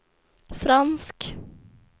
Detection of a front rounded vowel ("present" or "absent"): absent